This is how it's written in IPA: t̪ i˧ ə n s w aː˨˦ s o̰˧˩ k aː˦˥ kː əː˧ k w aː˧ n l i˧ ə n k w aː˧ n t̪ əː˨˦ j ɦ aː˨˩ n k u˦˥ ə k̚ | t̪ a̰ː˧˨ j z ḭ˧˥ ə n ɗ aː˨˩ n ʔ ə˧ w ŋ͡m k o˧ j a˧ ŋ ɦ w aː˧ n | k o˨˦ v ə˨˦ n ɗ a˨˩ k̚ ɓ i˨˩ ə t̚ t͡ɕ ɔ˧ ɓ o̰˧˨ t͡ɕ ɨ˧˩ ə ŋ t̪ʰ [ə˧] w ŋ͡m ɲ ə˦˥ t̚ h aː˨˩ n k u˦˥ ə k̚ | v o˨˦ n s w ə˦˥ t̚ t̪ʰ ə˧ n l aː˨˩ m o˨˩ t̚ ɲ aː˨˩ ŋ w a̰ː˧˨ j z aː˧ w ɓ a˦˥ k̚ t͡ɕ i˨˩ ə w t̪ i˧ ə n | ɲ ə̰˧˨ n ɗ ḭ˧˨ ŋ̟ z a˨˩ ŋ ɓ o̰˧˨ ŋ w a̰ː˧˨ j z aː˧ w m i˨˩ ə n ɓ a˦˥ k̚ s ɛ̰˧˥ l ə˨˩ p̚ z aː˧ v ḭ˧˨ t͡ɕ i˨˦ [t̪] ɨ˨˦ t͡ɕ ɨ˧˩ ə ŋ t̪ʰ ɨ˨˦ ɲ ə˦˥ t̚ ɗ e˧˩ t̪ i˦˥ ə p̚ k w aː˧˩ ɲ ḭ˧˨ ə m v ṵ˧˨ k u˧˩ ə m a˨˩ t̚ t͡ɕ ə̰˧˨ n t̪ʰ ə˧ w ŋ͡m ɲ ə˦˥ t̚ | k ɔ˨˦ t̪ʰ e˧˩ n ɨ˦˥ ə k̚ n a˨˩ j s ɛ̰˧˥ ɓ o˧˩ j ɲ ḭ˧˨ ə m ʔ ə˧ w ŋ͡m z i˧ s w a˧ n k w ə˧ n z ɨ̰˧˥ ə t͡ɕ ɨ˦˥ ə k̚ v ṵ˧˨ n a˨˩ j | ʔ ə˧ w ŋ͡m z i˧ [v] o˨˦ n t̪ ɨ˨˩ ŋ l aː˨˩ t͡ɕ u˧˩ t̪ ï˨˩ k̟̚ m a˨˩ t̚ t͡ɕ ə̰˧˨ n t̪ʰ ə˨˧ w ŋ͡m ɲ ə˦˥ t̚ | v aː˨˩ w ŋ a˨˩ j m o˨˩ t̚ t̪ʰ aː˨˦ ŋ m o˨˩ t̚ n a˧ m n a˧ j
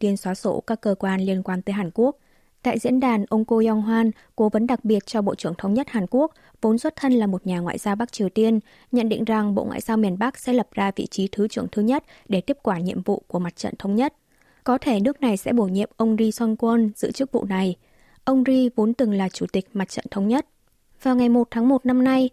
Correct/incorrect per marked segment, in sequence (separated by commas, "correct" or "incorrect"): correct, incorrect, correct